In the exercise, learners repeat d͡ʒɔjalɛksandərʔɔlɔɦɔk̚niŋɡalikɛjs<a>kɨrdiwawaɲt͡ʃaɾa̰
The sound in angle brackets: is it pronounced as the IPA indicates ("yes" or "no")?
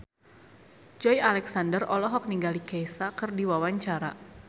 yes